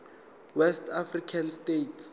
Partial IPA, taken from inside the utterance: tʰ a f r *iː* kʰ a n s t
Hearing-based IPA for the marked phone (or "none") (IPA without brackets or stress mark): i